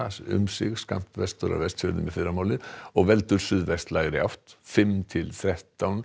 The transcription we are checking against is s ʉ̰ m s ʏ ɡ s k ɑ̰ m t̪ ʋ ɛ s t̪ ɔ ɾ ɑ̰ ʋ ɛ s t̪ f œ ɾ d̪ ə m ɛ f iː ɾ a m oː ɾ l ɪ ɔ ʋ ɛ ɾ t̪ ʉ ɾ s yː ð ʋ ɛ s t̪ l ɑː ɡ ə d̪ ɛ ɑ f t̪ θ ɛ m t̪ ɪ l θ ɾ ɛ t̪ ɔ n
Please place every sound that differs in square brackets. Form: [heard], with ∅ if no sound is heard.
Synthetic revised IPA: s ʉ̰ m s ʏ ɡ s k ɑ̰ m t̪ ʋ ɛ s t̪ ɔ ɾ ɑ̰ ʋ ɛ s t̪ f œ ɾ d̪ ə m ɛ f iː ɾ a m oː [∅] l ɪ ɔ ʋ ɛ [l] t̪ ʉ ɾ s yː ð ʋ ɛ s t̪ l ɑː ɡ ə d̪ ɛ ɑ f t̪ [f] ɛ m [t̪ʰ] ɪ l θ ɾ ɛ t̪ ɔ n